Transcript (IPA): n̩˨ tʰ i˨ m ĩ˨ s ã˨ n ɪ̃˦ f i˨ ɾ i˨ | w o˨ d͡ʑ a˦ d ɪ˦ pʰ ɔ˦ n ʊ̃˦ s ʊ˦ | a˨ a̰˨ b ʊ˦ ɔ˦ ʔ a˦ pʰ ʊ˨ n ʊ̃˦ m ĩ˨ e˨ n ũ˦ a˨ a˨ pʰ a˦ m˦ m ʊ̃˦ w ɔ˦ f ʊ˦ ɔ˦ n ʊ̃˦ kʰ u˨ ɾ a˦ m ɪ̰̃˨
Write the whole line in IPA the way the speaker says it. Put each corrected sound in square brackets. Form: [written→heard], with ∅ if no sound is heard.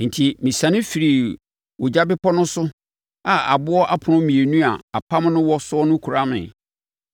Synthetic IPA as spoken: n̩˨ tʰ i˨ m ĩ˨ s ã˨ n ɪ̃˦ f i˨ ɾ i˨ | w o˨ d͡ʑ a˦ [d→b] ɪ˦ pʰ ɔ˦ n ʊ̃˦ s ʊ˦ | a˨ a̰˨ b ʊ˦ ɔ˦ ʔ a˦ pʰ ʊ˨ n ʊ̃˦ m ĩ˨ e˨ n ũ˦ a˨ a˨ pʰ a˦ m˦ [m→n] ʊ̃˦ w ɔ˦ [f→s] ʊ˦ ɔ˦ n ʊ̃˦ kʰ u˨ ɾ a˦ m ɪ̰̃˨

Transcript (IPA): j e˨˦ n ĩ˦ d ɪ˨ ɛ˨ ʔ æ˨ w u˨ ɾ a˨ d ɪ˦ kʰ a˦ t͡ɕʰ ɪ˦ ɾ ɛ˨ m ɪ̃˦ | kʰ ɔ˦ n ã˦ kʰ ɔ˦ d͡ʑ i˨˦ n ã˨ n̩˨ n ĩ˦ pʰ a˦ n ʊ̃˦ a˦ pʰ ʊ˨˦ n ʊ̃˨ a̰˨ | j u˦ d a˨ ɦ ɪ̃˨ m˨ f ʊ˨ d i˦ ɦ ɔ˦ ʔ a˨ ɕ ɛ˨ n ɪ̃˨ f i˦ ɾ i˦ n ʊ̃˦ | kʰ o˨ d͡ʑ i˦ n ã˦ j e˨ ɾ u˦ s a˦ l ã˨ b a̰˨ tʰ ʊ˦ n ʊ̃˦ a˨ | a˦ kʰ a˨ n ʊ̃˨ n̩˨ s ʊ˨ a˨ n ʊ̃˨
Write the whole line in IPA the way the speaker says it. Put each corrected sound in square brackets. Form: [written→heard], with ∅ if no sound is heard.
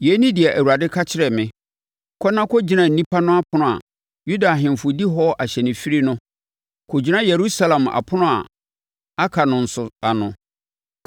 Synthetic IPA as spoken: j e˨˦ n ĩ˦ d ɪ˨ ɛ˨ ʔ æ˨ w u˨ ɾ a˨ d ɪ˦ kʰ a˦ t͡ɕʰ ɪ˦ ɾ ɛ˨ m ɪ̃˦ | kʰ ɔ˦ n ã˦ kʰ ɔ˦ d͡ʑ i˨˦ n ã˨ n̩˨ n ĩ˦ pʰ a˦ n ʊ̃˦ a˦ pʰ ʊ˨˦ n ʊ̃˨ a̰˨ | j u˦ d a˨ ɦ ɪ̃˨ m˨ f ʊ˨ d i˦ ɦ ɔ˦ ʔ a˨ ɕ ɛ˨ n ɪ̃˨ f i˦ ɾ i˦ n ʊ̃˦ | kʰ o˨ d͡ʑ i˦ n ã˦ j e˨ ɾ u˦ s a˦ l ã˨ [b→m] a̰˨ [tʰ→pʰ] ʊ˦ n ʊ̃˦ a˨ | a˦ kʰ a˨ n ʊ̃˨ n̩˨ s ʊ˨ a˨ n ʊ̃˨

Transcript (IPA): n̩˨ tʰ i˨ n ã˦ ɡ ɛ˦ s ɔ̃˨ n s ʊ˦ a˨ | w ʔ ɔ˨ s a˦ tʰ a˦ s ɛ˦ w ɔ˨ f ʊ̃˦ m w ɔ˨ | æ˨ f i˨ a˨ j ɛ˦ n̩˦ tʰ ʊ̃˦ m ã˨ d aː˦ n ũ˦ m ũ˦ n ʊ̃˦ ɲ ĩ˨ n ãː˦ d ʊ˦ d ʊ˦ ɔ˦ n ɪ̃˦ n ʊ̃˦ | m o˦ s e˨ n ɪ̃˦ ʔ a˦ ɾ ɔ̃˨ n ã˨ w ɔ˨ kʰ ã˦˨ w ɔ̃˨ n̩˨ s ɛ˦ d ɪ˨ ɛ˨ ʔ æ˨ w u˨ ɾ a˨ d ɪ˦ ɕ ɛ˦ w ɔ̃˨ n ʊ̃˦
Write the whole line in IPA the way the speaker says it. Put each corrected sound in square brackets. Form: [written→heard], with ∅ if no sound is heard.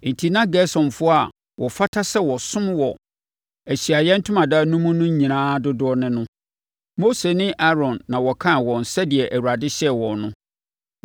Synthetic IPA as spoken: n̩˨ tʰ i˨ n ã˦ ɡ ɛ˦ s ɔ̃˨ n [s→f] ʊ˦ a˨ | w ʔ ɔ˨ [s→f] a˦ tʰ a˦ s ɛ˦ w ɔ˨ [f→s] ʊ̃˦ m w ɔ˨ | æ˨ [f→ɕ] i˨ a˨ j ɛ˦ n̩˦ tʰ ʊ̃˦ m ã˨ d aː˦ n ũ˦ m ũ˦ n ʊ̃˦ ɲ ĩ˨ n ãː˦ d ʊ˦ d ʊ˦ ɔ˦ n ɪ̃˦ n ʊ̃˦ | m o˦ s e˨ n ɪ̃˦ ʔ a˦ ɾ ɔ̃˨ [n→nː] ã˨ w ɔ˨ kʰ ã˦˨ w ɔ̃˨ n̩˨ s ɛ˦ d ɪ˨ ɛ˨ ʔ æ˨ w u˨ ɾ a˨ d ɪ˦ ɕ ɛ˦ w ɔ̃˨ n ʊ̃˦

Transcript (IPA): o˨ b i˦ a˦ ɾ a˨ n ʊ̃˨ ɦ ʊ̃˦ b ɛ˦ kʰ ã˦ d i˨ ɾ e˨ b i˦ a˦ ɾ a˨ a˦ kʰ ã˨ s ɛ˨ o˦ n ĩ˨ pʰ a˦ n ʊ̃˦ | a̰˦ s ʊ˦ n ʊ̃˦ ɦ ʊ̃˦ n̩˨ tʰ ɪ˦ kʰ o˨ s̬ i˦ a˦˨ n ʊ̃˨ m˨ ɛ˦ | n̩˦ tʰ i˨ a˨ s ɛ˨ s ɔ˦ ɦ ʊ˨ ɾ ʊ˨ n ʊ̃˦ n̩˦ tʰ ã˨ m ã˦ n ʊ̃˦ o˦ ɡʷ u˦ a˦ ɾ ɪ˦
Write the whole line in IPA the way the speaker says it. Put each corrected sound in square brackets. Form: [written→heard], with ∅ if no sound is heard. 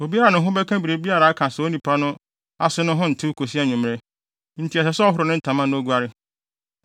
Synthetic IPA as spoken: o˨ b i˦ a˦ ɾ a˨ n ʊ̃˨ ɦ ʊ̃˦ b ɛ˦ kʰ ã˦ [d→b] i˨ ɾ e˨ b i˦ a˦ ɾ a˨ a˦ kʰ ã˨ s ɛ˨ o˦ n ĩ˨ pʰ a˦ n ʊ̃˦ | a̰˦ s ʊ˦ n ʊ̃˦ ɦ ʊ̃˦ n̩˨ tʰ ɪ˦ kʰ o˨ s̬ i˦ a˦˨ [n→ɲ] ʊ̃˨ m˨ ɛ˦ | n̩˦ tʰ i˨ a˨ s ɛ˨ s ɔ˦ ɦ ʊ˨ ɾ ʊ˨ n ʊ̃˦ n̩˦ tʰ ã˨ m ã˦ n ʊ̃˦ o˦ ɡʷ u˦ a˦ ɾ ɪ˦

